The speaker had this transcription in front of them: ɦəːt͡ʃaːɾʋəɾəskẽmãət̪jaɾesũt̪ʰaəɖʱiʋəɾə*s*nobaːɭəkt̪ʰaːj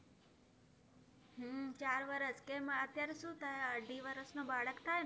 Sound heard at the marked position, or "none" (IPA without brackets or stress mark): s